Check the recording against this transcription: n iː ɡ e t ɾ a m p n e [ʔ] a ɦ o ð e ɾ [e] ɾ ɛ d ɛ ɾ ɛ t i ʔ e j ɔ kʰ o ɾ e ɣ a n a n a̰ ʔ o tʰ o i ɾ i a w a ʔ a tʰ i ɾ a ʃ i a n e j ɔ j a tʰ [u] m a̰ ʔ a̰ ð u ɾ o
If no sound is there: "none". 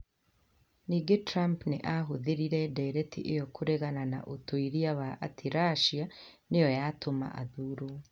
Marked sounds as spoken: ʔ, i, o

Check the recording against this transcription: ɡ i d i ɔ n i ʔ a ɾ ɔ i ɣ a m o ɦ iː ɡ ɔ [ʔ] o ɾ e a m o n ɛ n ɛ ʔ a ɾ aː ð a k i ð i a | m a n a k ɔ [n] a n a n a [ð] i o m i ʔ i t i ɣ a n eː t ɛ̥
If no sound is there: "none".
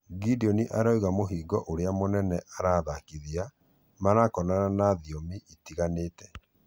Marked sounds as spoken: ʔ, n, ð

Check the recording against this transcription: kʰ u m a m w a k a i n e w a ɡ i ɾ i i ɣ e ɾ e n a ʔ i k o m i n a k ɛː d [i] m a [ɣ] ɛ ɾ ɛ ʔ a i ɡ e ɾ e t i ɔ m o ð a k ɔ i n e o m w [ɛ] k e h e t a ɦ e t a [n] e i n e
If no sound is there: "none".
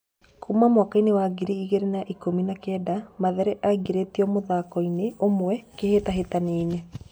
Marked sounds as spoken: a, ð, ɛ, n

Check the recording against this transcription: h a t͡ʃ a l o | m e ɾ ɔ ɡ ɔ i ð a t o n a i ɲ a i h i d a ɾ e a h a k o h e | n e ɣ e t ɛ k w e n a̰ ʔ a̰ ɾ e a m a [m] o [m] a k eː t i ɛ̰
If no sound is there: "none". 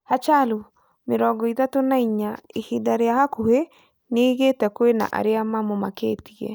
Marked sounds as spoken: m, m

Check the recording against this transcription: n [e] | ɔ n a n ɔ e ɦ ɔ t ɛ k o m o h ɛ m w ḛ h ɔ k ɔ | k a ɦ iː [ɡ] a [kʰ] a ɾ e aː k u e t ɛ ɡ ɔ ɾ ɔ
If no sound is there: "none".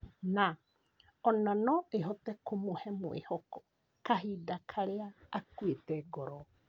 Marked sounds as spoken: a, d, kʰ

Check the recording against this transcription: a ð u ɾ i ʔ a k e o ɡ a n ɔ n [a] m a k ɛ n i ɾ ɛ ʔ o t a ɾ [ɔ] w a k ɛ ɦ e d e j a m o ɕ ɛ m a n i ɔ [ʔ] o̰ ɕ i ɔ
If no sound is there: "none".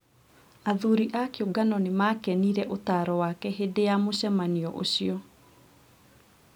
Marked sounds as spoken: e, ɔ, ʔ

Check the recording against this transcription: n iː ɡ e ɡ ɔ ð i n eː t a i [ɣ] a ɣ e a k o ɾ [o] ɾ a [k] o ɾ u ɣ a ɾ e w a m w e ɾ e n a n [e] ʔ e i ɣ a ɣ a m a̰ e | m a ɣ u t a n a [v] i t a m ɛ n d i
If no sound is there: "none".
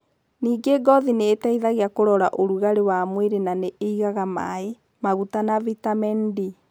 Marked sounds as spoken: ð, ɔ, ʔ, e, v

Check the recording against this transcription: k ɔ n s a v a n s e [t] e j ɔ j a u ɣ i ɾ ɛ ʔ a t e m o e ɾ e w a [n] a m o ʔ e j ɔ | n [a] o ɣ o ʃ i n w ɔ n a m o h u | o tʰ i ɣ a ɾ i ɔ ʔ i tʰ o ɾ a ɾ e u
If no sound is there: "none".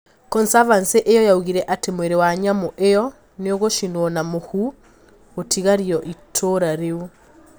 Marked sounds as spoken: ʔ, ɲ, e

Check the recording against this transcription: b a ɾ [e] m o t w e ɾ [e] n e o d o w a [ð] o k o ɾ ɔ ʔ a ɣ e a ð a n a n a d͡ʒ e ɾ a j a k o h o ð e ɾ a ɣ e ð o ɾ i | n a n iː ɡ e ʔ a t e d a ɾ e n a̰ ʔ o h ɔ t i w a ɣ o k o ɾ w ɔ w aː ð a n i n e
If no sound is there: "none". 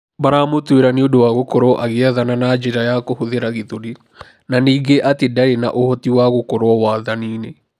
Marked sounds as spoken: a, a, ɣ

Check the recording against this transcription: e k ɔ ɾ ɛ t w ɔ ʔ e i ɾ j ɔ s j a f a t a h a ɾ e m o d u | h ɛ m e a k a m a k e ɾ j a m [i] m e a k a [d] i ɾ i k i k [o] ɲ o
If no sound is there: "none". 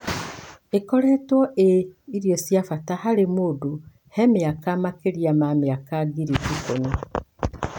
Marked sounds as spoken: a, ɡ, o

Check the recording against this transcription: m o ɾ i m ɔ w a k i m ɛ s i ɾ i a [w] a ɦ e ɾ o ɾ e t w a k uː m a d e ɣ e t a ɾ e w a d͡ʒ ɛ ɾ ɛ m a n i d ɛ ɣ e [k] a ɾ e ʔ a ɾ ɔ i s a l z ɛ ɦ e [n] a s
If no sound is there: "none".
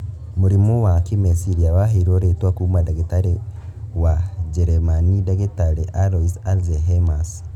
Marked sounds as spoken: w, t, m

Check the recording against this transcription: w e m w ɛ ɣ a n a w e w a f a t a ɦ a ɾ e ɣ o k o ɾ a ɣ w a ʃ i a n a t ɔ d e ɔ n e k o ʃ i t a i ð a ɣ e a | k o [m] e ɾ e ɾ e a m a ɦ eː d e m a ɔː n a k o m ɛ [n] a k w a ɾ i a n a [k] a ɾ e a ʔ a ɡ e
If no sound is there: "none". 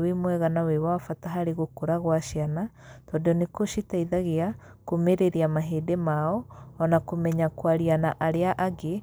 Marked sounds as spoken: m, ɲ, ʔ

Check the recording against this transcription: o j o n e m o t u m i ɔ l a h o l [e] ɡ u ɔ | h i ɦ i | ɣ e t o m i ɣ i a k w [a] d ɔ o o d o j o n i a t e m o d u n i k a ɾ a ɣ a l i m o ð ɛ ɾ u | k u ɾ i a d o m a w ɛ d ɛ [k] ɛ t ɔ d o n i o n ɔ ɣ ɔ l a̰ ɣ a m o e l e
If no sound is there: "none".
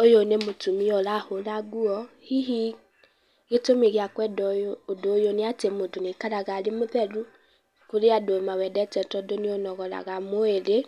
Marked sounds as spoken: a, ɛ, t

